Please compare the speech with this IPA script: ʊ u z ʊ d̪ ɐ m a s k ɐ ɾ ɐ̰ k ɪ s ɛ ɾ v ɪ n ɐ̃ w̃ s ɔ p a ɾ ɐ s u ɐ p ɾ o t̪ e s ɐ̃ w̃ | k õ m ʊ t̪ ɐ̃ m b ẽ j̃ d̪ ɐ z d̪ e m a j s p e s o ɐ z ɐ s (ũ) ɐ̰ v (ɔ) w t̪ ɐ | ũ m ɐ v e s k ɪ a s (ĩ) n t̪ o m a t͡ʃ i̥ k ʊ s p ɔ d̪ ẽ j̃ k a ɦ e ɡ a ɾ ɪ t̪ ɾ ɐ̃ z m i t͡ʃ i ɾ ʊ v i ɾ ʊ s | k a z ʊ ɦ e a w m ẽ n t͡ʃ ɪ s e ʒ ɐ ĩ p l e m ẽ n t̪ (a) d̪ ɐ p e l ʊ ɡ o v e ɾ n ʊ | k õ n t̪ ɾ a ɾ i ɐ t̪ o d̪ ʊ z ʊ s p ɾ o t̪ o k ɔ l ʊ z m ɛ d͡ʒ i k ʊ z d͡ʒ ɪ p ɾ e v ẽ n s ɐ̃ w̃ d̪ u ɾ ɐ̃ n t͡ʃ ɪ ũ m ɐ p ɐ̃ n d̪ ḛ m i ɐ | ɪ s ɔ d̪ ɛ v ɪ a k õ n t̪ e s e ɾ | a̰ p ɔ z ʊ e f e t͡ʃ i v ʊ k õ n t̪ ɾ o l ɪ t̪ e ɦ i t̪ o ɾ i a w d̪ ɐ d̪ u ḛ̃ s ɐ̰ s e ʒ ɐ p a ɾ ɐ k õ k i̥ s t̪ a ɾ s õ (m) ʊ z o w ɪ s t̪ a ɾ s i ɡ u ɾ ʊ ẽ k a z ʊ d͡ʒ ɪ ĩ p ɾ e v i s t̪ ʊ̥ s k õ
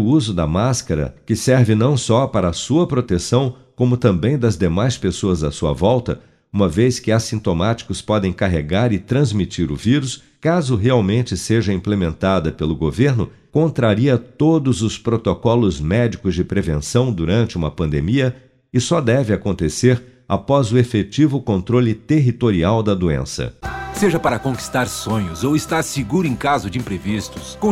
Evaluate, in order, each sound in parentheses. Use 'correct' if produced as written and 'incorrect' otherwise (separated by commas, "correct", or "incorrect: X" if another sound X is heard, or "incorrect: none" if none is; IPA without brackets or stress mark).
incorrect: u, correct, correct, correct, incorrect: ɲ